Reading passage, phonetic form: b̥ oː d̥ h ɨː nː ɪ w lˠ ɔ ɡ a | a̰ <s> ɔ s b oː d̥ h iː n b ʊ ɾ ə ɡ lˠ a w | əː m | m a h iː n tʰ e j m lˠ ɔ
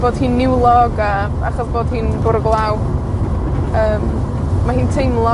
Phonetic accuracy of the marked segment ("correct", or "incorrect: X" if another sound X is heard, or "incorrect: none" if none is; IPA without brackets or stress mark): incorrect: χ